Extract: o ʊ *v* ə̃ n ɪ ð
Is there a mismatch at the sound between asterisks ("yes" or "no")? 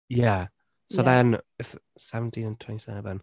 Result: yes